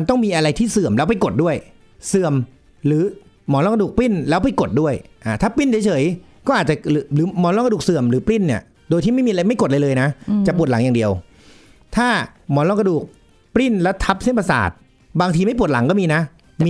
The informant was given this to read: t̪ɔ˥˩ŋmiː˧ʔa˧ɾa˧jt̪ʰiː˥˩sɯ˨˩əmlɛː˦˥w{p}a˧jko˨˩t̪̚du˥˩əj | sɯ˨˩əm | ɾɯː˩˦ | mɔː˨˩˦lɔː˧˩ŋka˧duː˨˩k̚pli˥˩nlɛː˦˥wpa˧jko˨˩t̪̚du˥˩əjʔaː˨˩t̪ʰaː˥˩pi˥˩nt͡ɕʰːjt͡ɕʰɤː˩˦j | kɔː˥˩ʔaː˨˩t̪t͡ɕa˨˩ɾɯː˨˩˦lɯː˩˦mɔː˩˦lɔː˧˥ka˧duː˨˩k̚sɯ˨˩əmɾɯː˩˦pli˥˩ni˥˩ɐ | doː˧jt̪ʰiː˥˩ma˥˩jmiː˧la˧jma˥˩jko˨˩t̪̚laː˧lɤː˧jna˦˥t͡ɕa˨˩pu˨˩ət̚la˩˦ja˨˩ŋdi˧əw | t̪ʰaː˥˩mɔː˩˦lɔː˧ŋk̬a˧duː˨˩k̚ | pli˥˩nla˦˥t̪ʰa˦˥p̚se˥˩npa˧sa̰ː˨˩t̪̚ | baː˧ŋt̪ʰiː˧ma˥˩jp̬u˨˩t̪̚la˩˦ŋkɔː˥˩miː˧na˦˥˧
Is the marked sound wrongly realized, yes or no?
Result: no